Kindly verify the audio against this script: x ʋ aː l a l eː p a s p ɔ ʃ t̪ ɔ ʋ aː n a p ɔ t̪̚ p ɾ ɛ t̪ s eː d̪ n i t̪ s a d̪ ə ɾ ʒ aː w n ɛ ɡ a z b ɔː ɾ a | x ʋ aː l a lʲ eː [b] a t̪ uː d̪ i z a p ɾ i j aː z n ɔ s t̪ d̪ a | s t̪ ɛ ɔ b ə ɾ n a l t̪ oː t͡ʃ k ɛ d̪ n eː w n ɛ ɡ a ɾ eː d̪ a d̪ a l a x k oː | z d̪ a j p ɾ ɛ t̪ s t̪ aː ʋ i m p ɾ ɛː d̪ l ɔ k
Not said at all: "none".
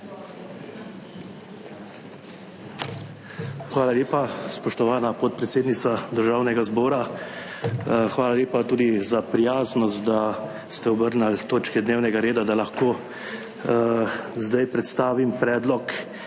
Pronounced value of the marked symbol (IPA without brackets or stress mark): p